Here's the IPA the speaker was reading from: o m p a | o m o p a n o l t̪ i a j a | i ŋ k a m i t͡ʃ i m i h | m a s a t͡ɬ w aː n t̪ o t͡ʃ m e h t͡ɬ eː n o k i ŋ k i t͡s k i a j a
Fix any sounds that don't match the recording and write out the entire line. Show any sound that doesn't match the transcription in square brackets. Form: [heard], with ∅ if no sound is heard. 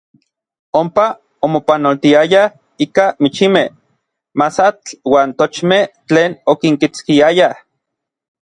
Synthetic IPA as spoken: o m p a | o m o p a n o l t̪ i a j a | i [∅] k a m i t͡ʃ i m [e] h | m a s a t͡ɬ w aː n t̪ o t͡ʃ m e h t͡ɬ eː n o k i ŋ k i t͡s k i a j a